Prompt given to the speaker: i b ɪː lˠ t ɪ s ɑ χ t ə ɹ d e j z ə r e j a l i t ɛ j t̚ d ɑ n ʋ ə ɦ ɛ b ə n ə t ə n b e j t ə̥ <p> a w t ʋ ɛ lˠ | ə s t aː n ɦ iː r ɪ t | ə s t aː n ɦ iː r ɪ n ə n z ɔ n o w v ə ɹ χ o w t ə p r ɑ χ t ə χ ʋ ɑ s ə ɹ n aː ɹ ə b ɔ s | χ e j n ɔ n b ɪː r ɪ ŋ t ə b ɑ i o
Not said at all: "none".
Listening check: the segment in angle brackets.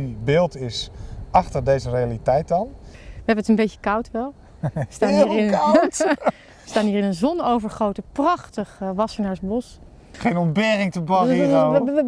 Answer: k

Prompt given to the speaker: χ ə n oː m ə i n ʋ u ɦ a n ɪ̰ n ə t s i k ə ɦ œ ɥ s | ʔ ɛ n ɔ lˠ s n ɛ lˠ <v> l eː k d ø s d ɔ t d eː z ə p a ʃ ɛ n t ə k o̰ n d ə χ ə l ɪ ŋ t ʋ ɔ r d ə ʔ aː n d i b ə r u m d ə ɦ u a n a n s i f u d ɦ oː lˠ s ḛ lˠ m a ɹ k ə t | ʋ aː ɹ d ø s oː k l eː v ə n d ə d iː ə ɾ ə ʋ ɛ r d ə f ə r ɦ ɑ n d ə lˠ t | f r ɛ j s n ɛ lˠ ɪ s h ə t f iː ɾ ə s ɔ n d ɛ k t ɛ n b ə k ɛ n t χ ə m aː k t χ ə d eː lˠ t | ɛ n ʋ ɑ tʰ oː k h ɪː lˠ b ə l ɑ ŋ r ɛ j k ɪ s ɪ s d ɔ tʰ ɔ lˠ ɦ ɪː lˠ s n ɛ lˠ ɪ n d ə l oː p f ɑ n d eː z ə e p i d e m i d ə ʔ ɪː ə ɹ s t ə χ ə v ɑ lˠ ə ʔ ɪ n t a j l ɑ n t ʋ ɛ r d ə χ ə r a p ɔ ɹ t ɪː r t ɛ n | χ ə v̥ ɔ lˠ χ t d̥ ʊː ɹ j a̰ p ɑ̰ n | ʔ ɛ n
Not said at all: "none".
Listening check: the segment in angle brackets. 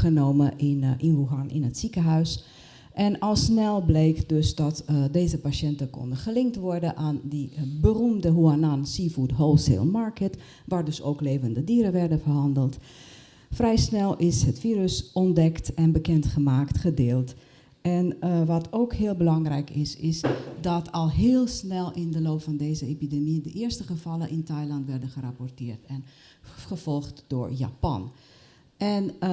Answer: b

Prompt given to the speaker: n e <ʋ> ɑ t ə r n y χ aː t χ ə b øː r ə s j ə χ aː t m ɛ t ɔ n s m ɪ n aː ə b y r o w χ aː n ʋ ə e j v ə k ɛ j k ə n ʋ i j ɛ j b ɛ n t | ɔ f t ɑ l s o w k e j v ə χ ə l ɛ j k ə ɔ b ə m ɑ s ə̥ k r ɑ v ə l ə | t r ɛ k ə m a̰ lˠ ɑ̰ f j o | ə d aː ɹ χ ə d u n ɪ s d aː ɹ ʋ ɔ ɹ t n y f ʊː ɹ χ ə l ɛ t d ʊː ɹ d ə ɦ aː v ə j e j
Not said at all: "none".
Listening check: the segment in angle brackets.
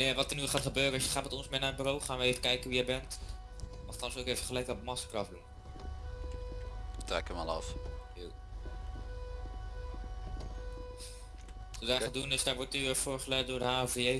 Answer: ʋ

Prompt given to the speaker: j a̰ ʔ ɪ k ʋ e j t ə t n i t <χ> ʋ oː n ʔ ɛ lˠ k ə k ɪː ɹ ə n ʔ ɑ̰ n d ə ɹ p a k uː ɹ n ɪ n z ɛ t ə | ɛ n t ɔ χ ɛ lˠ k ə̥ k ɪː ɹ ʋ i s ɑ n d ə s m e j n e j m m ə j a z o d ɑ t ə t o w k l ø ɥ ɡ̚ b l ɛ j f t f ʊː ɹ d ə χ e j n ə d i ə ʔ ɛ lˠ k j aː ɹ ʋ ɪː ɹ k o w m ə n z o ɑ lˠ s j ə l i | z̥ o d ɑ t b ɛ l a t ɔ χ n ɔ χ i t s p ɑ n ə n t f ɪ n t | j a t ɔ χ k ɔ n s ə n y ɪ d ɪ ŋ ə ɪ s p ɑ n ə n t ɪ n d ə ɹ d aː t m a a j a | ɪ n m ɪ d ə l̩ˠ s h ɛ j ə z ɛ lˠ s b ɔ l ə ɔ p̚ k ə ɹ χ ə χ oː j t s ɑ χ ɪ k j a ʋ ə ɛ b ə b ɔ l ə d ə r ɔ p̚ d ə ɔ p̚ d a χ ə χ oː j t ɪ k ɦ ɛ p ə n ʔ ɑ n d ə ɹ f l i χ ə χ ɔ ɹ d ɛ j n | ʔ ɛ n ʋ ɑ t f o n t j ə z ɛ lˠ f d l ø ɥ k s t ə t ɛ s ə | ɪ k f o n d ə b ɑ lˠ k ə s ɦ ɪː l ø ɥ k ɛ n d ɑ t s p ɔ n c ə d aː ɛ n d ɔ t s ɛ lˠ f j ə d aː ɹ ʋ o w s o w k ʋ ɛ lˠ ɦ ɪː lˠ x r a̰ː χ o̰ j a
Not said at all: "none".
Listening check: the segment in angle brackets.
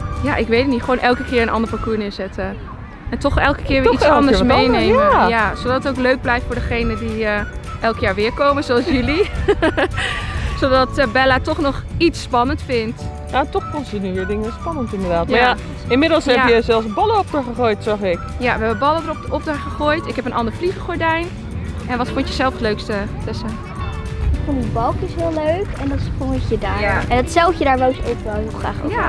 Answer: χ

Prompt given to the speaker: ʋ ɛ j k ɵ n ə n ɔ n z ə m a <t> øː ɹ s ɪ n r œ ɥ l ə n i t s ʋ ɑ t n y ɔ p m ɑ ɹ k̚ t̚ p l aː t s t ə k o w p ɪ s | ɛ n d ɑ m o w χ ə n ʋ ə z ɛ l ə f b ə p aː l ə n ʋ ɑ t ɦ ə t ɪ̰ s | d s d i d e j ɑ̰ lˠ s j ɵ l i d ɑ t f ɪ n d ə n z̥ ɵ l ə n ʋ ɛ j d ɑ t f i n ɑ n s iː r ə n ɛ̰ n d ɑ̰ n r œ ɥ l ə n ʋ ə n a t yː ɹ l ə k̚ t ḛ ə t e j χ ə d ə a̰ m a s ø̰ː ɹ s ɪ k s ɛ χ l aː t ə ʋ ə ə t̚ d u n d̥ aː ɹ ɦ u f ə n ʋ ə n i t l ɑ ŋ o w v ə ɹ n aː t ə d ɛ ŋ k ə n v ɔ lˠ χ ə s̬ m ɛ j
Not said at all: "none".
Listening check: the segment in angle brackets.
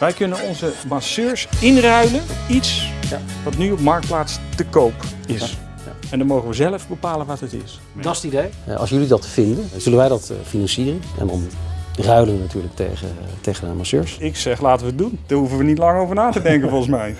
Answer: s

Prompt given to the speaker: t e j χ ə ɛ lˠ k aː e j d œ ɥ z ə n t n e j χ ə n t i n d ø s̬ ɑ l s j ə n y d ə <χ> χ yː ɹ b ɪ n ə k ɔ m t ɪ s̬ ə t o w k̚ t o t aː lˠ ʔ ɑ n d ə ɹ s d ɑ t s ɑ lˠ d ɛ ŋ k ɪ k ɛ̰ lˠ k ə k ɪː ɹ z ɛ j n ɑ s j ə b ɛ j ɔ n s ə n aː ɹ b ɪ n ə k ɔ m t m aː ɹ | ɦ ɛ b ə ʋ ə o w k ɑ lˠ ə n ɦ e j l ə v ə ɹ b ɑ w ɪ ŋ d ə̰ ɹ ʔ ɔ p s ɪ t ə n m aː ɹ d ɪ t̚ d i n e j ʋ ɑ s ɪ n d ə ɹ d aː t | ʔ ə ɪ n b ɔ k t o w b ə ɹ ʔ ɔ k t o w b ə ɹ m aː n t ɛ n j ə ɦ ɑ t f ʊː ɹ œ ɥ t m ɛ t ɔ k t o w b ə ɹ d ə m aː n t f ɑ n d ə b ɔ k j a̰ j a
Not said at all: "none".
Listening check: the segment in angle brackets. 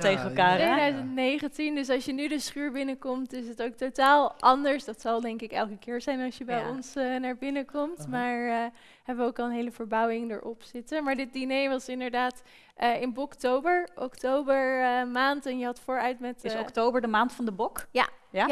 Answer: s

